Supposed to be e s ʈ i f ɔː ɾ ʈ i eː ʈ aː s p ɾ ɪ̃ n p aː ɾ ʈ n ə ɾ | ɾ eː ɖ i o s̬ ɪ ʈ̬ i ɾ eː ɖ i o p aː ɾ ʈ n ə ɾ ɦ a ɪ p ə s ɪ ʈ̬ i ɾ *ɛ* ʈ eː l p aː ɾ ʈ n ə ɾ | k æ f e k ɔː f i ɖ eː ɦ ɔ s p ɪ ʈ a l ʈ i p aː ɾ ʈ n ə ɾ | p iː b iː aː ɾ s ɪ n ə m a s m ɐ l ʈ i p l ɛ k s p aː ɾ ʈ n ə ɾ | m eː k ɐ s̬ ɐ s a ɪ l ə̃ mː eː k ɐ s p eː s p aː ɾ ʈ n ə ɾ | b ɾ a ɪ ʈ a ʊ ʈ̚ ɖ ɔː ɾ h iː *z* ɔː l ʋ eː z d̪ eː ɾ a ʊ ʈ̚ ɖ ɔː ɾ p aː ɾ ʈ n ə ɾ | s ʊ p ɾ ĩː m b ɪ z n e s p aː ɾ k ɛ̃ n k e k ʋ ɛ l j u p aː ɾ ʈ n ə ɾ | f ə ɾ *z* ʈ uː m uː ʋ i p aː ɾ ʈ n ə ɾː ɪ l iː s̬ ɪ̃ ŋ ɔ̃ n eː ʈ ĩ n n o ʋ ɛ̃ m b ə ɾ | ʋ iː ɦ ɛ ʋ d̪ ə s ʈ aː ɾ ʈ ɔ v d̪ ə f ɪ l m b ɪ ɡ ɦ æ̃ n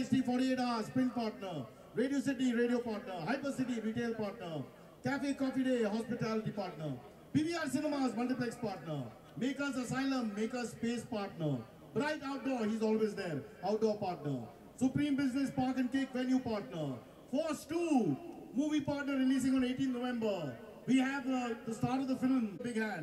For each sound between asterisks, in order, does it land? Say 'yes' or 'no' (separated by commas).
no, yes, no